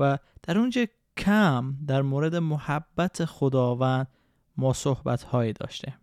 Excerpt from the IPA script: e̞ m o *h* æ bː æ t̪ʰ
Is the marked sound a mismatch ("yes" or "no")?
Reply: no